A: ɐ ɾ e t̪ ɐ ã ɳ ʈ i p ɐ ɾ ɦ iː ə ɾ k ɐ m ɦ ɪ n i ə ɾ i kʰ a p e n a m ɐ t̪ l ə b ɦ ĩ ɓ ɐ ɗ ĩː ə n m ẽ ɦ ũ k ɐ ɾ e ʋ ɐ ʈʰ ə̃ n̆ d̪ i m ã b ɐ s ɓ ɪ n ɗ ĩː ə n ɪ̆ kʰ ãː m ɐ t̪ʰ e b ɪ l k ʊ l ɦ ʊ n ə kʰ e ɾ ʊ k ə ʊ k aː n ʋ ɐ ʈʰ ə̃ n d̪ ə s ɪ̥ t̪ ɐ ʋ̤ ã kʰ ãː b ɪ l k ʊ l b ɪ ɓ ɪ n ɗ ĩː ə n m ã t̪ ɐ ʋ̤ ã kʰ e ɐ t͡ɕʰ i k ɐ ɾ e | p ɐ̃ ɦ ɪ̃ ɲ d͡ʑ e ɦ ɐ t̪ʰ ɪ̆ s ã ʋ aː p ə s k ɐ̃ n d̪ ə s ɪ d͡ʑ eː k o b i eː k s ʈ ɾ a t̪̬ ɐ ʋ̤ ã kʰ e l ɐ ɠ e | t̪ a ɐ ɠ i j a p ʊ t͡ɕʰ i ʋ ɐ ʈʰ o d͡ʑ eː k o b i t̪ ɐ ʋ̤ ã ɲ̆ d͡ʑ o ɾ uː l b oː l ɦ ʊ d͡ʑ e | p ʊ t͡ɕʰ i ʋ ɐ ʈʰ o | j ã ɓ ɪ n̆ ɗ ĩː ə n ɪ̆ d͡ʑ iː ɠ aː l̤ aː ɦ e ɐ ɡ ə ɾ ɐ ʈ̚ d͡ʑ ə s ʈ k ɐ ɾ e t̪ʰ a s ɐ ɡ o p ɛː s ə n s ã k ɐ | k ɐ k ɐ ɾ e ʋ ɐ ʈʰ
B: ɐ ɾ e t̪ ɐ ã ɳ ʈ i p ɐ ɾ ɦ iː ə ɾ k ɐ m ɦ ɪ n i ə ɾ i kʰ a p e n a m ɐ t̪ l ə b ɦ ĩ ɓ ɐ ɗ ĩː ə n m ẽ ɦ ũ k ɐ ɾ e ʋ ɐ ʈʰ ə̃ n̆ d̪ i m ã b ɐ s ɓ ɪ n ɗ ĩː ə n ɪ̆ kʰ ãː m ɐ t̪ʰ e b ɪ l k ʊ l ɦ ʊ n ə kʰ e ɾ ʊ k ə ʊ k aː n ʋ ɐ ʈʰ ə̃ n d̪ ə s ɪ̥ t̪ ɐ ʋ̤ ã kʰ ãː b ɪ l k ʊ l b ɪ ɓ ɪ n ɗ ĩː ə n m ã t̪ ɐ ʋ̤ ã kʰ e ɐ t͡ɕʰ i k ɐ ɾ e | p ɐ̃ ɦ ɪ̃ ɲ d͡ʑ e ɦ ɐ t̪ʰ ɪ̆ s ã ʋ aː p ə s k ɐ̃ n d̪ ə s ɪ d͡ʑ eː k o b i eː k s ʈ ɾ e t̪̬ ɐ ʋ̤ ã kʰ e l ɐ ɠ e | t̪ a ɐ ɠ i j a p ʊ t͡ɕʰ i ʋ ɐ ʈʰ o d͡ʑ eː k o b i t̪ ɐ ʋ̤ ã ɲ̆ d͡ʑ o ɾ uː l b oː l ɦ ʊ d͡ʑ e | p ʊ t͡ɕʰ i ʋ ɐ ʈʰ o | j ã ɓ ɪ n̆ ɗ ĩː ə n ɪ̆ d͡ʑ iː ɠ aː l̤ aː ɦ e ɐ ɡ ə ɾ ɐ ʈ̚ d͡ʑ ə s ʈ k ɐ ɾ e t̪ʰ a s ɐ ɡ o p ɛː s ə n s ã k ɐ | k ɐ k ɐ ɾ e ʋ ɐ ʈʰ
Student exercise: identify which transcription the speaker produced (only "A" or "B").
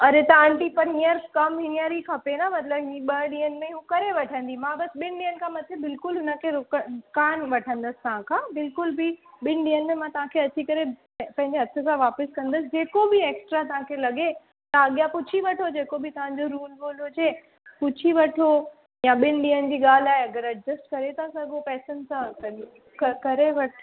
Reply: A